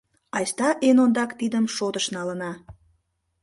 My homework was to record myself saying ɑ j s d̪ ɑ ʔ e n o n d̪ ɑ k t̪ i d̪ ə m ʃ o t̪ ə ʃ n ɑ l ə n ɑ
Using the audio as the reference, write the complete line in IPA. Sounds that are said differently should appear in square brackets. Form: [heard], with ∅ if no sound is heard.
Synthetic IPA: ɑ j s [t̪] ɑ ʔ e n o n d̪ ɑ k t̪ i d̪ ə m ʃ o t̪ ə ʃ n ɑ l ə n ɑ